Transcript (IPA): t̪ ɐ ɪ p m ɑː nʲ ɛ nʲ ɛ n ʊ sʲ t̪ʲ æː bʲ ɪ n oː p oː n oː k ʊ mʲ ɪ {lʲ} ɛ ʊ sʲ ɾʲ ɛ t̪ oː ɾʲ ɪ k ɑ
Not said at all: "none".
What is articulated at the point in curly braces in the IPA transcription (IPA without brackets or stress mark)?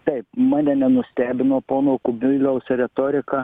lʲ